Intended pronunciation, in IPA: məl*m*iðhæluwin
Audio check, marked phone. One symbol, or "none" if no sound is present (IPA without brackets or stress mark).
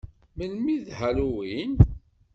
m